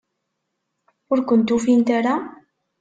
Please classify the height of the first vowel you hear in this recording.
high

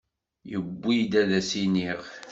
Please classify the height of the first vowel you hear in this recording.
mid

